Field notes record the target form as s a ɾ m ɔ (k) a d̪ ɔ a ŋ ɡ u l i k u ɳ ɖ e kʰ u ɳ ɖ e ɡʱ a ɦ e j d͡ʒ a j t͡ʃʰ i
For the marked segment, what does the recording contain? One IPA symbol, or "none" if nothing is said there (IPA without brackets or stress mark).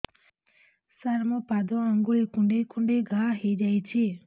p